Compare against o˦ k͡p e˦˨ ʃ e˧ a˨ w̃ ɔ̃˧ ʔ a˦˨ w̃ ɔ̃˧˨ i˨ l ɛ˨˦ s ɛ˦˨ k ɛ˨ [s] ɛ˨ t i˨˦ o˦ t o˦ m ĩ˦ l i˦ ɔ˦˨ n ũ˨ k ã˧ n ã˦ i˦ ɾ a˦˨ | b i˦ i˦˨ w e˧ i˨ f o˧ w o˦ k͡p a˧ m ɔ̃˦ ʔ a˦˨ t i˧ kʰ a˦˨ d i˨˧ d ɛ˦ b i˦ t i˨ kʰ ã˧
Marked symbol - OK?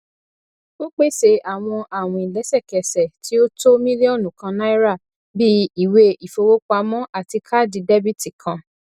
yes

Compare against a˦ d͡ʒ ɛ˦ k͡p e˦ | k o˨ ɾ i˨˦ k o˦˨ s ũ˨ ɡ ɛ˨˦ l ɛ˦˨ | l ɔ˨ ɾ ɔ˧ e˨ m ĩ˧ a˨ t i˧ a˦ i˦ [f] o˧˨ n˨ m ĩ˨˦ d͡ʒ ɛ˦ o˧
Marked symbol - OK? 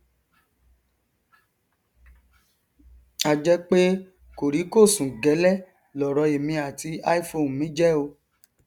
yes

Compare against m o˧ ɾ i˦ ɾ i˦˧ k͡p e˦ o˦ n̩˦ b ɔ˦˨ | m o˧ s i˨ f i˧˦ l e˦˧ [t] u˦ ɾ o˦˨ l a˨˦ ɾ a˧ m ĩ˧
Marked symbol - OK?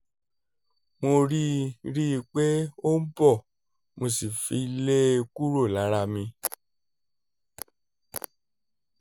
no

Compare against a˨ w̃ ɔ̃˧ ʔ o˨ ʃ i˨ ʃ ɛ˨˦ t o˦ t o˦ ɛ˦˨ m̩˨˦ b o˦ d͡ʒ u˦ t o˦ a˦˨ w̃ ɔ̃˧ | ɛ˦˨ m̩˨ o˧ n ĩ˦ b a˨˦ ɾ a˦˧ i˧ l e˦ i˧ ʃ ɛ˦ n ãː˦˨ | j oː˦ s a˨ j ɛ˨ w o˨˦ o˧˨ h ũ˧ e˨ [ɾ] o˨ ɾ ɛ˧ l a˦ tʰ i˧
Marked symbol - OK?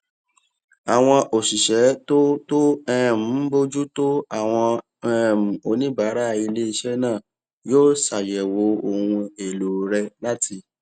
no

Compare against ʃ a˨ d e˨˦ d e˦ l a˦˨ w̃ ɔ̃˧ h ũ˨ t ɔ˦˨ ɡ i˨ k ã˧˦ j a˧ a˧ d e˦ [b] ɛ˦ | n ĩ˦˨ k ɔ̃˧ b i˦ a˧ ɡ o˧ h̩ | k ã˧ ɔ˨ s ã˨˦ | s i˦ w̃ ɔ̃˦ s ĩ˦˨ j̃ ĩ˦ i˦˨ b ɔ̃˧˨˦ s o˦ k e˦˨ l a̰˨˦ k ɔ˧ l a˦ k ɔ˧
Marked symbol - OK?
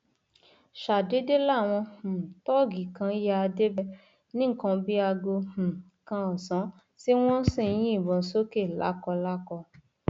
yes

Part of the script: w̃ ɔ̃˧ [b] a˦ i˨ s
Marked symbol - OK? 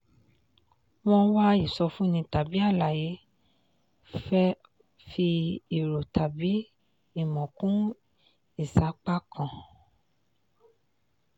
no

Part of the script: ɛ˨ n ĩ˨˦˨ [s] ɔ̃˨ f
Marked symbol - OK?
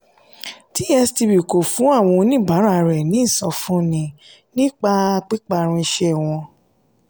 yes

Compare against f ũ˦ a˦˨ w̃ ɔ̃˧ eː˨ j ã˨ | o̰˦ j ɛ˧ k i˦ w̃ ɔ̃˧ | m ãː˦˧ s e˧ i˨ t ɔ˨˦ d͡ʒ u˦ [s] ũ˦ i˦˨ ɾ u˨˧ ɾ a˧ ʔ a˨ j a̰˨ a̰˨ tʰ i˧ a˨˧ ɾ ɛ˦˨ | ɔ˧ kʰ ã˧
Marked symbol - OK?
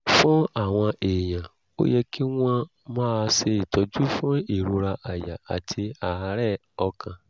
no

